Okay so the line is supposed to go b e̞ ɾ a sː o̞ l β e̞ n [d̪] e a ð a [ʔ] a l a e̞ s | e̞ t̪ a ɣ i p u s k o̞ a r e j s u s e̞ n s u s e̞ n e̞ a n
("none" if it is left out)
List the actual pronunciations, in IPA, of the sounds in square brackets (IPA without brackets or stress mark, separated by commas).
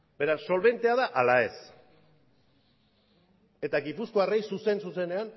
t̪, ʔ